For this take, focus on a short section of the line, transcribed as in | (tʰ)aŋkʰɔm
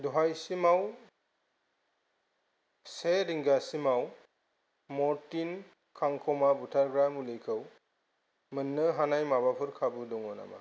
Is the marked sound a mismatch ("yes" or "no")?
yes